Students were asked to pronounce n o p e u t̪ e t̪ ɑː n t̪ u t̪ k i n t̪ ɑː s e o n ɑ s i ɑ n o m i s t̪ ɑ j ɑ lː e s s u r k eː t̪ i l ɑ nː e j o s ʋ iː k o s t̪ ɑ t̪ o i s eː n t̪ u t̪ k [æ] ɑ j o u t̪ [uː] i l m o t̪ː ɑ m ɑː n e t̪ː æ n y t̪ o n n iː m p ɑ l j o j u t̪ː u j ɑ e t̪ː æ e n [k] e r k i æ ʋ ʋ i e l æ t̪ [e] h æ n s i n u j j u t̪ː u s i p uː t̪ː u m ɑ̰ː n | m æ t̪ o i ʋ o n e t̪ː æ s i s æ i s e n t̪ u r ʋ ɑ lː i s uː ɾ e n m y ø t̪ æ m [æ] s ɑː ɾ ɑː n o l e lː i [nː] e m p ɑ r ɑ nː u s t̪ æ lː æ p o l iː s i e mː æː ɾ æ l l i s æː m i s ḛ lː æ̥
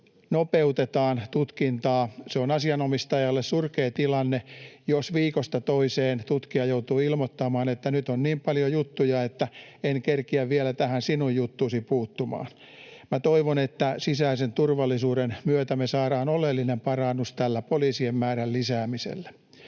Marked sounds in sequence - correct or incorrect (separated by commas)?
incorrect, correct, correct, incorrect, incorrect, incorrect